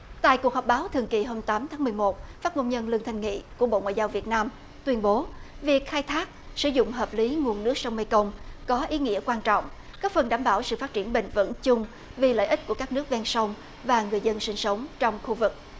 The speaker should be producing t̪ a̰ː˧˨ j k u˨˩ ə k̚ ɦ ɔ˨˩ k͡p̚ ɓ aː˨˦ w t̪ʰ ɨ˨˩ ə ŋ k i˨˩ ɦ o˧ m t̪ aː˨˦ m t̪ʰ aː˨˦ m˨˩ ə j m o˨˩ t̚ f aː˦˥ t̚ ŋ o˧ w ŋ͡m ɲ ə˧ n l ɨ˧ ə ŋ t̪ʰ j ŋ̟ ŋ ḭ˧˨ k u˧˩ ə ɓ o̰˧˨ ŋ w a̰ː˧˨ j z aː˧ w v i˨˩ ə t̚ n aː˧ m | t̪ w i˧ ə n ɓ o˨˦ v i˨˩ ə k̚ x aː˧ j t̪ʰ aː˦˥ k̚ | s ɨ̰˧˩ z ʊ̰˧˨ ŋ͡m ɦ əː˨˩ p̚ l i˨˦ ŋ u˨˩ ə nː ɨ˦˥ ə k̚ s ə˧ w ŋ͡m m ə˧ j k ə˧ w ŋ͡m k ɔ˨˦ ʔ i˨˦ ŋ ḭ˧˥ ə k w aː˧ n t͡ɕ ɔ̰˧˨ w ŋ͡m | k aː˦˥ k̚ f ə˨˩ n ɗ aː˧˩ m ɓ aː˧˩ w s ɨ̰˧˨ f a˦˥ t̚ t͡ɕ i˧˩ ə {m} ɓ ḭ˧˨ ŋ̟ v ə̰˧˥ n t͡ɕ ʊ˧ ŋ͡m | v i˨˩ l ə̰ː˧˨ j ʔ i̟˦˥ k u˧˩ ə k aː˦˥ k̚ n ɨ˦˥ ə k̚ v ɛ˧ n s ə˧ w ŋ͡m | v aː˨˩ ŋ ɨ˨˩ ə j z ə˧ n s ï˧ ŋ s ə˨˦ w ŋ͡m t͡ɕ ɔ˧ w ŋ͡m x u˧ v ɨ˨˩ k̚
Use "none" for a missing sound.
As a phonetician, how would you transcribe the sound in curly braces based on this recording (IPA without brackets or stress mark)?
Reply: n